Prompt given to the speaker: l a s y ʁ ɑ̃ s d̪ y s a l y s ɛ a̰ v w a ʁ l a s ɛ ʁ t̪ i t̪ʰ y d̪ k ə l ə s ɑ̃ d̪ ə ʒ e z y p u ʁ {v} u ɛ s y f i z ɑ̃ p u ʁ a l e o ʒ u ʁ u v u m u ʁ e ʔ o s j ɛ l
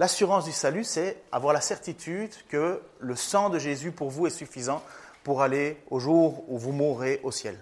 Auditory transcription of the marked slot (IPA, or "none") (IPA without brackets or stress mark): v